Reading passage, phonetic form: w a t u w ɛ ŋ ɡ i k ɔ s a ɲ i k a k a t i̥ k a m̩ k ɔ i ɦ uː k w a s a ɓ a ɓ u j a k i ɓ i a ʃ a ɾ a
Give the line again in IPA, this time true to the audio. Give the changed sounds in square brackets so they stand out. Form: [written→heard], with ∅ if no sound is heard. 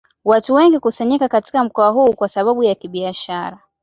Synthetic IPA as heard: w a t u w ɛ ŋ ɡ i k [ɔ→u] s a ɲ i k a k a t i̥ k a m̩ k ɔ [i→a] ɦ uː k w a s a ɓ a ɓ u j a k i ɓ i a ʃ a ɾ a

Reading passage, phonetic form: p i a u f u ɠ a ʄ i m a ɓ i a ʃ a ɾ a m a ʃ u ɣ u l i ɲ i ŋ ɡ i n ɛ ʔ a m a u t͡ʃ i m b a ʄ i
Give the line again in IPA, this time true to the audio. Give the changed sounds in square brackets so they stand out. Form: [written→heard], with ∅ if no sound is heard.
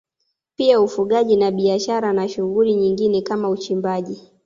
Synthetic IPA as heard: p i a u f u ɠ a ʄ i [m→n] a ɓ i a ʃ a ɾ a [m→n] a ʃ u ɣ u l i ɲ i ŋ ɡ i n ɛ [ʔ→k] a m a u t͡ʃ i m b a ʄ i

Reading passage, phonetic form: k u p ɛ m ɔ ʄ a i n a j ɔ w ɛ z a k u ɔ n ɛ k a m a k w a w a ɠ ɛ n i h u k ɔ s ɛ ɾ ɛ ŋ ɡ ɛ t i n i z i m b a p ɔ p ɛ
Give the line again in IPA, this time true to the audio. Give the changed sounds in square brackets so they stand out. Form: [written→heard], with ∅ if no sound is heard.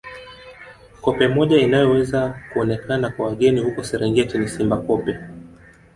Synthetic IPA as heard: k [u→ɔ] p ɛ m ɔ ʄ a i n a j ɔ w ɛ z a k u ɔ n ɛ k a [m→n] a k w a w a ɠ ɛ n i h u k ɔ s ɛ ɾ ɛ ŋ ɡ ɛ t i n i [z→s] i m b a [p→k] ɔ p ɛ

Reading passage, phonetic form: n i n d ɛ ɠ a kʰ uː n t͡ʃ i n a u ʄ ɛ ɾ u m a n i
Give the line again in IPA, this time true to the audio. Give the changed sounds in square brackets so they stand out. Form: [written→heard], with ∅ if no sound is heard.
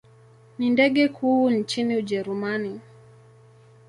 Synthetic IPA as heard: n i n d ɛ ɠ [a→ɛ] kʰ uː n t͡ʃ i n [a→i] u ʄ ɛ ɾ u m a n i

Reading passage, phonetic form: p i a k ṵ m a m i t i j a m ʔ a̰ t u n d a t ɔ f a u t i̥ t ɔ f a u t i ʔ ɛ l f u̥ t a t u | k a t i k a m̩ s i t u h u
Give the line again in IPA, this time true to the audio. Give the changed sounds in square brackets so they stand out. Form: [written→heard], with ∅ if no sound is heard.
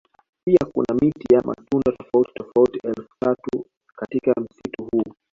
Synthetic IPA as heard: p i a k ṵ [m→n] a m i t i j a m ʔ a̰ t u n d a t ɔ f a u t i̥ t ɔ f a u t i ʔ ɛ l f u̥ t a t u | k a t i k a m̩ s i t u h u

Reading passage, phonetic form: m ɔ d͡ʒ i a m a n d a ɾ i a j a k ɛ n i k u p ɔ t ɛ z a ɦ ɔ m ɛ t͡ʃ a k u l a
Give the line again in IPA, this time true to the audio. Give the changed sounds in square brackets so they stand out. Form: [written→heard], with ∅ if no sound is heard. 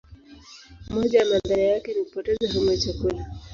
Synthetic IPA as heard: m ɔ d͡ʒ [i→a] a m a n d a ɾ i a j a k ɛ n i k u p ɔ t ɛ z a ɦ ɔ m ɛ t͡ʃ a k u l a

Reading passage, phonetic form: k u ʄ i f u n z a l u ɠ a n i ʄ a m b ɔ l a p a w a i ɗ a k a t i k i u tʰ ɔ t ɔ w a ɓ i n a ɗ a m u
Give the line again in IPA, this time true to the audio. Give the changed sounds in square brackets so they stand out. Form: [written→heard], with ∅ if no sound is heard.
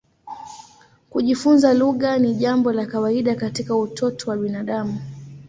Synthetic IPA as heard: k u ʄ i f u n z a l u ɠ a n i ʄ a m b ɔ l a [p→k] a w a i ɗ a k a t i k [i→a] u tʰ ɔ t ɔ w a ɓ i n a ɗ a m u

